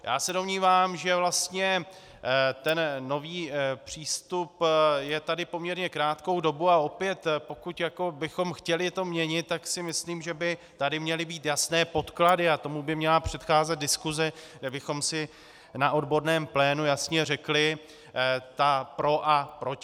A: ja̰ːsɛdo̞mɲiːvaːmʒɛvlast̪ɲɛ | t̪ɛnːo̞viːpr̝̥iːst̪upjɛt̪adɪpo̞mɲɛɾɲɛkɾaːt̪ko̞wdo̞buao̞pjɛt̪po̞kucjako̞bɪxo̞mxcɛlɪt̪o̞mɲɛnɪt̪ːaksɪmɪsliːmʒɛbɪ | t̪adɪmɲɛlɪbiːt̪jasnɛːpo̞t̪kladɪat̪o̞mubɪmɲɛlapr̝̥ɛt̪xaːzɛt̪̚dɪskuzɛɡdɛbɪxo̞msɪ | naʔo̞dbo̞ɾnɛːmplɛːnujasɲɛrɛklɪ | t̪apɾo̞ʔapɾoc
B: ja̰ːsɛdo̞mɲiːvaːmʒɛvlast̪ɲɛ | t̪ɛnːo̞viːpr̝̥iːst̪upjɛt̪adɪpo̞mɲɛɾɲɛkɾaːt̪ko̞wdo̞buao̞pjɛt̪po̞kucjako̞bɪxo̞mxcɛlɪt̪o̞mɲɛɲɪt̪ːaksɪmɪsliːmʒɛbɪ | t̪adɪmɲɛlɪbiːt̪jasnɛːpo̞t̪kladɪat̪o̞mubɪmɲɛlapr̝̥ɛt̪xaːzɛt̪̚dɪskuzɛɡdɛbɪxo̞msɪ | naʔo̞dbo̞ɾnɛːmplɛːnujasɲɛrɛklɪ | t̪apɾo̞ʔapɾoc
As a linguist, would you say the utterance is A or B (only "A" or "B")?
B